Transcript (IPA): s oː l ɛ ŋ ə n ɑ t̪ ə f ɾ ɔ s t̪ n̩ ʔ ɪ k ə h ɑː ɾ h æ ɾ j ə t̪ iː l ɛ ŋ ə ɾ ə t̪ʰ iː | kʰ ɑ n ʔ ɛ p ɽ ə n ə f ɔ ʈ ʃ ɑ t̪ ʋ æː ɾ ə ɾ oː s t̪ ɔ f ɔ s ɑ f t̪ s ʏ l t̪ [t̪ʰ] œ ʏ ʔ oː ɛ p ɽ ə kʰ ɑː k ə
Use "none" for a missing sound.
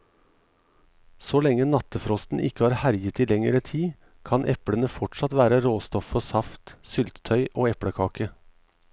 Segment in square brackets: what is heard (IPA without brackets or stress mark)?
t̪ʰ